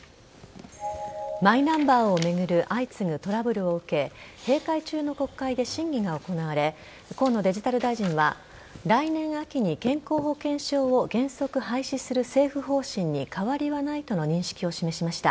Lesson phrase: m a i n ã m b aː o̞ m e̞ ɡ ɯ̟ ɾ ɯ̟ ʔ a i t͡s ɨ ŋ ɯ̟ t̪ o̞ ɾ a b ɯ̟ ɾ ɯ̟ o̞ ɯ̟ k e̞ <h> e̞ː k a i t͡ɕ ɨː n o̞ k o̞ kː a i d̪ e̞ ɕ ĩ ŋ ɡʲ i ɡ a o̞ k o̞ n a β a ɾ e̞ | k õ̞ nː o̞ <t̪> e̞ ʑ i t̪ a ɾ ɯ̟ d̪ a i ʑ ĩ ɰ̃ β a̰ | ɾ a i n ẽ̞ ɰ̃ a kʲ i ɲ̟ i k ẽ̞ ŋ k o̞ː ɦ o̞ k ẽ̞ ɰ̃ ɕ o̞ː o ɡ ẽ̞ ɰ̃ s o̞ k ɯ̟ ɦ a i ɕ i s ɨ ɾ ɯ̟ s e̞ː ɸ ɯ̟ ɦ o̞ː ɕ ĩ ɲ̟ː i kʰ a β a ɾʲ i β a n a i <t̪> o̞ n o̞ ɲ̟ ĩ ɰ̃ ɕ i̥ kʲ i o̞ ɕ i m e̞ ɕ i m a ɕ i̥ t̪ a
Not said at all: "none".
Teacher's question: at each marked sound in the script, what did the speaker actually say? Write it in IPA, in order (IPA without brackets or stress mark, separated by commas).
h, d̪, t̪